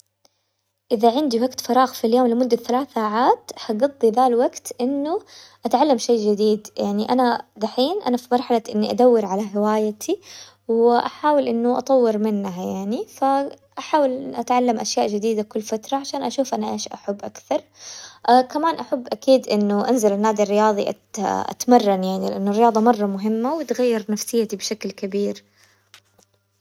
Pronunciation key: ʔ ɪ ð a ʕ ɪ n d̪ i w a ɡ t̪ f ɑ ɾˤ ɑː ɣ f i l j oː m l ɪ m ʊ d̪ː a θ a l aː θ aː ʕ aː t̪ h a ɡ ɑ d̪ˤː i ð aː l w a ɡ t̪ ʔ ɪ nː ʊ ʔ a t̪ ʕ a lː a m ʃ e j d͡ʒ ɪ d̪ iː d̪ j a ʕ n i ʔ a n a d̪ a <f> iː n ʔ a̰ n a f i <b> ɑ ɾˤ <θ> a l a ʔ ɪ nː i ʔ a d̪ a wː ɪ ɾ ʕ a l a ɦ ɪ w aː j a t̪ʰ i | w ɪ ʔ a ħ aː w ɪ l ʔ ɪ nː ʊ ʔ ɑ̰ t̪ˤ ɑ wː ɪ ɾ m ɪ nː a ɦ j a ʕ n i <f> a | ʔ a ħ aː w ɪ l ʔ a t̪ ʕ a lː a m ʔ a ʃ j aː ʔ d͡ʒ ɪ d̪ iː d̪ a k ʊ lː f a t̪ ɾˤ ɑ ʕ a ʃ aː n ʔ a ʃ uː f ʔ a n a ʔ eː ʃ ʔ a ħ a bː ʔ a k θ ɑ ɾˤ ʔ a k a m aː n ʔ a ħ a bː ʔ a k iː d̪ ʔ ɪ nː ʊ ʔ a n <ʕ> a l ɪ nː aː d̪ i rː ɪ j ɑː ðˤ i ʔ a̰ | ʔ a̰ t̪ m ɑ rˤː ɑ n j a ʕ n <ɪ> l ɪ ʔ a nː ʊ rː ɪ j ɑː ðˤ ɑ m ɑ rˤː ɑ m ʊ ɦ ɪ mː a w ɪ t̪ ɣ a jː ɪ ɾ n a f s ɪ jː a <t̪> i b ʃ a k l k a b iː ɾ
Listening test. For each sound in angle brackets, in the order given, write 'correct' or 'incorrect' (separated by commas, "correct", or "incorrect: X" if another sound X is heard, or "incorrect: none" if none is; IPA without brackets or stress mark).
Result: incorrect: ħ, incorrect: m, incorrect: ħ, correct, incorrect: z, incorrect: i, correct